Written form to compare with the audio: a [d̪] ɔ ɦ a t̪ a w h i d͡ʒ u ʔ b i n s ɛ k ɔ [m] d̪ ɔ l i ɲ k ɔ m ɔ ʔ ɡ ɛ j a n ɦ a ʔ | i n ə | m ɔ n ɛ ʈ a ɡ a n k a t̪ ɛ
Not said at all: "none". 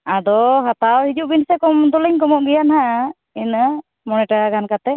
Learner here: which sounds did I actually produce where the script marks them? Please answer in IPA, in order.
d̪, m

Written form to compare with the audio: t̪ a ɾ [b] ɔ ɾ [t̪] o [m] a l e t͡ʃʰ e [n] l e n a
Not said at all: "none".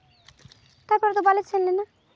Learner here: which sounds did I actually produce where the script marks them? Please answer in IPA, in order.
p, t̪, b, n

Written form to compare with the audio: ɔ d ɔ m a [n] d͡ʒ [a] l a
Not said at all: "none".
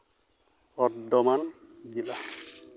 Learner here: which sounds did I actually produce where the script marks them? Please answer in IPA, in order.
n, i

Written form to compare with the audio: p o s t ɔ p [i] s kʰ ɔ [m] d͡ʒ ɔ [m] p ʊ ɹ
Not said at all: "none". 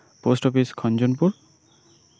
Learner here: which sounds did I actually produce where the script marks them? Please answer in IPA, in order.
i, n, n

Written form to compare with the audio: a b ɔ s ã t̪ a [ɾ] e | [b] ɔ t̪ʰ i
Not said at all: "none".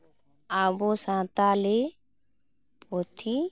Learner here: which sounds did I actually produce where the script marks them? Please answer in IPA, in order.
l, p

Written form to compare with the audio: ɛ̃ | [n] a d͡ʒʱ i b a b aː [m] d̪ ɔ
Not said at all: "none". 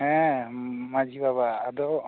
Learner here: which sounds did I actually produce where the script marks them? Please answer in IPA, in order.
m, none

